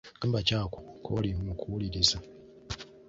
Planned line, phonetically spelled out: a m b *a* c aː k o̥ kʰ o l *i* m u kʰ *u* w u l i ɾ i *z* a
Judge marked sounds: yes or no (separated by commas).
yes, yes, yes, yes